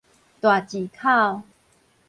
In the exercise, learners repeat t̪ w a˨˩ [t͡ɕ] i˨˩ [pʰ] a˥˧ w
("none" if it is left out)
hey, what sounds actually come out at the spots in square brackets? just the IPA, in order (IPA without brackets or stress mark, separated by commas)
t͡ɕ, kʰ